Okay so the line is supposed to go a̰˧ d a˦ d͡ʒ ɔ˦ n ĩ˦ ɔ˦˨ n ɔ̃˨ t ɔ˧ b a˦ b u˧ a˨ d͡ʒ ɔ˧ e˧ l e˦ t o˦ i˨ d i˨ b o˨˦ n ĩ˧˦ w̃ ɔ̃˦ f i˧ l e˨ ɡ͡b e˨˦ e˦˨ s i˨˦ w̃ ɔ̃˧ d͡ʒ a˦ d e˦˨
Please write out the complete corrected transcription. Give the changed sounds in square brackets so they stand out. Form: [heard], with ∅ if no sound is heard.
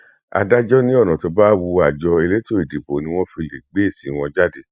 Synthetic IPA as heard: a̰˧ d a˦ d͡ʒ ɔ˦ n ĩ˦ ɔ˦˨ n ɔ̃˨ t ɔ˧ b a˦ [w] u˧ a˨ d͡ʒ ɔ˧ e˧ l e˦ t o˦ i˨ d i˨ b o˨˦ n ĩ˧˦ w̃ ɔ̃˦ f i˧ l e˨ ɡ͡b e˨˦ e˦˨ s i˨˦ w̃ ɔ̃˧ d͡ʒ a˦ d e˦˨